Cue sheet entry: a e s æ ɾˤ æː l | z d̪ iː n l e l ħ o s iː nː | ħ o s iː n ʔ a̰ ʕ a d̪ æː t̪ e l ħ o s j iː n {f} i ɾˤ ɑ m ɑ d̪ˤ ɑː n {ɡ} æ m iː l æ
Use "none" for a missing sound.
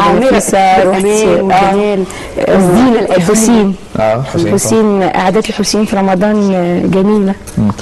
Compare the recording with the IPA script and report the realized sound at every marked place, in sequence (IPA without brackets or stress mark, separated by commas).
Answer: f, ɡ